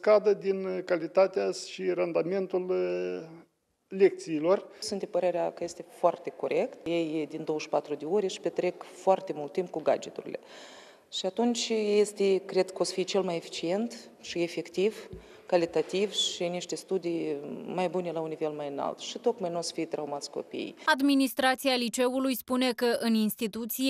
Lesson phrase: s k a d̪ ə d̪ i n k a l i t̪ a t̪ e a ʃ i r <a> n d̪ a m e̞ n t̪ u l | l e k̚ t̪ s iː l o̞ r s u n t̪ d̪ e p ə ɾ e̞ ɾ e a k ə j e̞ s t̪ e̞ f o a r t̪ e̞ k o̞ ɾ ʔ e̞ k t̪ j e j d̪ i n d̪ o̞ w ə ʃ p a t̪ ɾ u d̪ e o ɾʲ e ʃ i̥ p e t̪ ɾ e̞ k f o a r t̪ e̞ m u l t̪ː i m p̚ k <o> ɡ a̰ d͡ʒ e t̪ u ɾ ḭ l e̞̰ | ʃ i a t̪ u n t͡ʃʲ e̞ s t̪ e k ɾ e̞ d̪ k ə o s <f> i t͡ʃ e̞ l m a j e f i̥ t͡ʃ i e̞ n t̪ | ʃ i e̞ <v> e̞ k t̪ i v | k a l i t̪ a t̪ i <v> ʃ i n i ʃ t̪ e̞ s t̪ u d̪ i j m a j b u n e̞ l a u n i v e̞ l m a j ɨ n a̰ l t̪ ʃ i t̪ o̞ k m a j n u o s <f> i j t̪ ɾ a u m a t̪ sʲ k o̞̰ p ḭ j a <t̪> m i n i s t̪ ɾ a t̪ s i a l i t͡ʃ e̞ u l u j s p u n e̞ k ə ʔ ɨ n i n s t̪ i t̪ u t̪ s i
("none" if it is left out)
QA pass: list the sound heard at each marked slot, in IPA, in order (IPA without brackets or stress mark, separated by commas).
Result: a, u, f, f, v, f, d̪